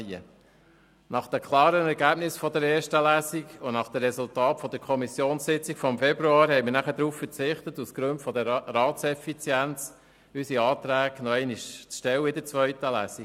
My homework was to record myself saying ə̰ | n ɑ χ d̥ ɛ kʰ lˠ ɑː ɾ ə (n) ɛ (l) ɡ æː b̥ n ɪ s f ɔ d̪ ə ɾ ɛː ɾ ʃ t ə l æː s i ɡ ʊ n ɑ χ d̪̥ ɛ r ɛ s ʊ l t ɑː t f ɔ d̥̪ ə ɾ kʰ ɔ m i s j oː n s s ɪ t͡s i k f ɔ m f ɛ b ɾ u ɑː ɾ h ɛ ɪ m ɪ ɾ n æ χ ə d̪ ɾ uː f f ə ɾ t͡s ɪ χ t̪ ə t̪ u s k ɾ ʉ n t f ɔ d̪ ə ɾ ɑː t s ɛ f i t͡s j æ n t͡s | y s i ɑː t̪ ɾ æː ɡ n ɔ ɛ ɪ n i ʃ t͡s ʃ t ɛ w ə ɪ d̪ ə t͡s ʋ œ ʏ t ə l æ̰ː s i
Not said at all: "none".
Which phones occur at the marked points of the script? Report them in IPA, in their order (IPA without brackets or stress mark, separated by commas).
n, ɾ